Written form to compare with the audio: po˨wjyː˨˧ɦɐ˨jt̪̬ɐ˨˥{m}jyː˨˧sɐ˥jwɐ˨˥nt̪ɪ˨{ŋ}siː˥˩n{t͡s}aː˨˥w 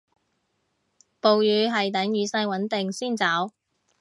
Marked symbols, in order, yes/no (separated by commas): no, yes, yes